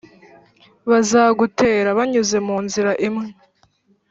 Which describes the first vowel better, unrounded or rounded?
unrounded